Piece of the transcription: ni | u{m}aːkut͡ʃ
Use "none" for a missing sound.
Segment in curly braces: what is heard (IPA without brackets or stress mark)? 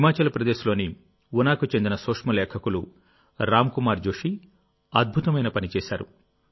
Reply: n